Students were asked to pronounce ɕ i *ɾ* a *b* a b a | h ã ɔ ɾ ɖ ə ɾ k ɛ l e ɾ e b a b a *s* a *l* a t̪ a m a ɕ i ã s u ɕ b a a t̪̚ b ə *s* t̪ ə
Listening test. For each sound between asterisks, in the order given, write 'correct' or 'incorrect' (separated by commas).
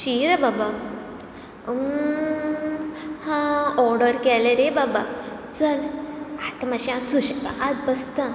correct, correct, incorrect, correct, correct